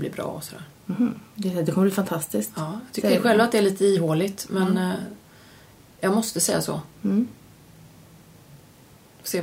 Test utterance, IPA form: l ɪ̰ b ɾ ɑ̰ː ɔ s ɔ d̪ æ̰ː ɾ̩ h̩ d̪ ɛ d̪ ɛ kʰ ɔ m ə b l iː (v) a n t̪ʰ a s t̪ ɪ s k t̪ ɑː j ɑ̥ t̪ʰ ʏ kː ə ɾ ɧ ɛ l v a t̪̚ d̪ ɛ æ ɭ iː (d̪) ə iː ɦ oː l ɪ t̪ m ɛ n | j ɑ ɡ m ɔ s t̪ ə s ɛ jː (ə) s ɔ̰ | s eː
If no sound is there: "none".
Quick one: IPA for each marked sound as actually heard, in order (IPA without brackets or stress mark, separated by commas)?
f, t̪, a